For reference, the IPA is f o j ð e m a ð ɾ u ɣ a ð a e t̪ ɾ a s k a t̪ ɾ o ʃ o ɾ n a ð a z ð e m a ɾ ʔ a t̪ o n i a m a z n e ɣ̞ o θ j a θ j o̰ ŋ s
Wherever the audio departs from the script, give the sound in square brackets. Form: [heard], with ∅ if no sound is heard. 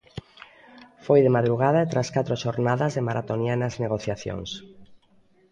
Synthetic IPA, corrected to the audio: f o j ð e m a ð ɾ u ɣ a ð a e t̪ ɾ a s k a t̪ ɾ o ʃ o ɾ n a ð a z ð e m a ɾ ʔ a t̪ o n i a [n] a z n e ɣ̞ o θ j a θ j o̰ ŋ s